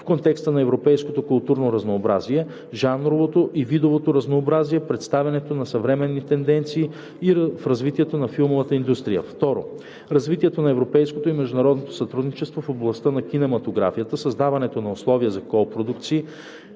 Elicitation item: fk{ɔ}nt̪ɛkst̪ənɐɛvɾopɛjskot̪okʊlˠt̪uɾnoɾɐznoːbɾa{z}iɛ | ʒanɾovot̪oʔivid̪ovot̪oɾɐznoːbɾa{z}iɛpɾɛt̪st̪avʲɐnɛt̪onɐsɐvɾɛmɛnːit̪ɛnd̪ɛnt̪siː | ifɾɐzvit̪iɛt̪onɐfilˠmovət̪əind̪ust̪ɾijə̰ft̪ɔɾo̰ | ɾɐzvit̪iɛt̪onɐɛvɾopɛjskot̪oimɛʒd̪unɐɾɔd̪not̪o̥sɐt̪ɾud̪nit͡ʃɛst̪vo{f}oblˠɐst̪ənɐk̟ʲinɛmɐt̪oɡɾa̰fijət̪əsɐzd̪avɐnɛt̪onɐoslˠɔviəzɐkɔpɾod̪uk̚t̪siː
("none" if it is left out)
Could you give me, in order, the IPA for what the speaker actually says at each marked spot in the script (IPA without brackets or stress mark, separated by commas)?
o, z, z, f